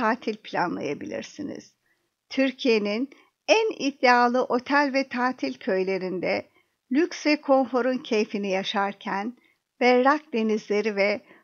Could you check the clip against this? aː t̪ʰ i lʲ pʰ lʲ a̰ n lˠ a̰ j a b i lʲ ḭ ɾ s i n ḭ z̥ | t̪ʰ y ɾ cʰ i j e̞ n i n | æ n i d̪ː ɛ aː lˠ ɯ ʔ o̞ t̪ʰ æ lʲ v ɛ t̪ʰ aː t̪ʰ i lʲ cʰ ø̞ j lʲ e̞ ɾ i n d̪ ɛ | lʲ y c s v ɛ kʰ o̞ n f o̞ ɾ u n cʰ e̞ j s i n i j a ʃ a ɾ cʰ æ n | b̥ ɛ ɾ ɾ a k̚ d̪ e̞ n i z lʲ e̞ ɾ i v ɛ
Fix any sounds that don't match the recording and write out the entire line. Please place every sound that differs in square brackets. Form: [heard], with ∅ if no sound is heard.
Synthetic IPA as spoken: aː t̪ʰ i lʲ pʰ lʲ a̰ n lˠ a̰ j a b i lʲ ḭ ɾ s i n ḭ z̥ | t̪ʰ y ɾ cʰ i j e̞ n i n | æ n i d̪ː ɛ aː lˠ ɯ ʔ o̞ t̪ʰ æ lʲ v ɛ t̪ʰ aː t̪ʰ i lʲ cʰ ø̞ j lʲ e̞ ɾ i n d̪ ɛ | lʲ y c s v ɛ kʰ o̞ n f o̞ ɾ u n cʰ e̞ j [f] i n i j a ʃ a ɾ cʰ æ n | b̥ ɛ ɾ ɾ a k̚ d̪ e̞ n i z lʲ e̞ ɾ i v ɛ